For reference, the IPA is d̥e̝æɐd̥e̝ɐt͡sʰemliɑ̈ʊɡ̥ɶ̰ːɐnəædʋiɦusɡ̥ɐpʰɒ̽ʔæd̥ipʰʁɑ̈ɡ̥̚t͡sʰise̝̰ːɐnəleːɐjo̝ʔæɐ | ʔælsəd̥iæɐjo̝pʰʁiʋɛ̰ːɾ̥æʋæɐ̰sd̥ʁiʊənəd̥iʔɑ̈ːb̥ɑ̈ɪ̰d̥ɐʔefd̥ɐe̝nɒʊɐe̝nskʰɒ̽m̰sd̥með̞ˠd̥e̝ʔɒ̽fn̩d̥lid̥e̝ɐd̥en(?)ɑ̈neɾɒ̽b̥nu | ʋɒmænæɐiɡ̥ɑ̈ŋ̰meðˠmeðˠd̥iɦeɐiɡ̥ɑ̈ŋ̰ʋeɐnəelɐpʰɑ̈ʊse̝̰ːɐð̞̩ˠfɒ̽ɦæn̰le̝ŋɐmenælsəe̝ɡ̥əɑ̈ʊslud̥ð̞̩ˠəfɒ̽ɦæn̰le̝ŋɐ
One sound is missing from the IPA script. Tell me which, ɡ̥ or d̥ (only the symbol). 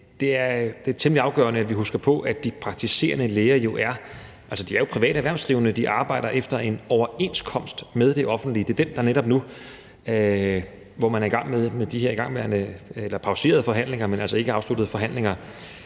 d̥